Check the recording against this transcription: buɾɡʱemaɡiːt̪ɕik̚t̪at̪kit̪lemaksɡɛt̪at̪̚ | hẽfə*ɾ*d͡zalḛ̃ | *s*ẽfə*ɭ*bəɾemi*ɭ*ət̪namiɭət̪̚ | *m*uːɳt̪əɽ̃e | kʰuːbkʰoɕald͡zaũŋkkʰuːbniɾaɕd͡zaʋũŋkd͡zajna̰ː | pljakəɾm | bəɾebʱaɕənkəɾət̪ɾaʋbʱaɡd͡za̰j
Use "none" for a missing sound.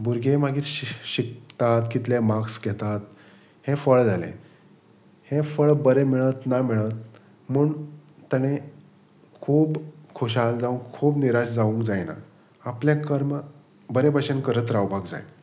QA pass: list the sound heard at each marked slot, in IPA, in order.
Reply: ɭ, h, ɭ, ɭ, m

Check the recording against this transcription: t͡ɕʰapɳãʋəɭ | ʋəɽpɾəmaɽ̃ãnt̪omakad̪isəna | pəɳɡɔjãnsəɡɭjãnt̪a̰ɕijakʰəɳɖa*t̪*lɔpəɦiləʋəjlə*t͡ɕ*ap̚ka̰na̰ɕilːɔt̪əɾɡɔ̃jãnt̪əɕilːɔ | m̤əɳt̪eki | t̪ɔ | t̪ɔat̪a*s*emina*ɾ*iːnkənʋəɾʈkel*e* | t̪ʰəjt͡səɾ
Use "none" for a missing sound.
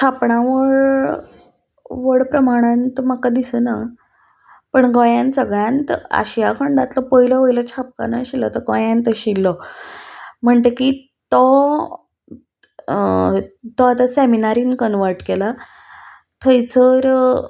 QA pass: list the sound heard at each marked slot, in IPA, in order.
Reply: t̪, t͡ɕʰ, s, ɾ, a

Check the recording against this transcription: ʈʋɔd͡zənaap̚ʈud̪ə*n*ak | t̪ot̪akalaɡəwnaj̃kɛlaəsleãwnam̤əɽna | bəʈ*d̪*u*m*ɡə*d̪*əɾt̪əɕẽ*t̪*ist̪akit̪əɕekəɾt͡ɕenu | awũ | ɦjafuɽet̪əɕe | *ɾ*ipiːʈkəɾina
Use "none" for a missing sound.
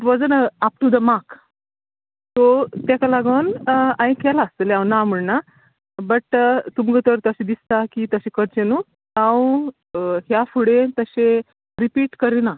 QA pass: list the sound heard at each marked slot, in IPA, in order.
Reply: m, t̪, m, t̪, d̪, ɾ

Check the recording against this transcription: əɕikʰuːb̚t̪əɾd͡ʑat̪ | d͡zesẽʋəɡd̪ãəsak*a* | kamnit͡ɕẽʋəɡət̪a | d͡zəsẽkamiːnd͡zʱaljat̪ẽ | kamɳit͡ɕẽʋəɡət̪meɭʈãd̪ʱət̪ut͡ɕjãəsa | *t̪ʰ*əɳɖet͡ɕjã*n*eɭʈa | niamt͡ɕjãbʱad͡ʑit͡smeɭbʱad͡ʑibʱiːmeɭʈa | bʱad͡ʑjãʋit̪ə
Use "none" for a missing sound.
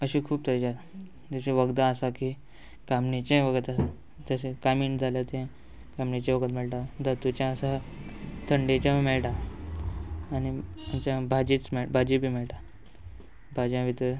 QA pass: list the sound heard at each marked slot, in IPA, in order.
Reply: i, t̪ʰ, m

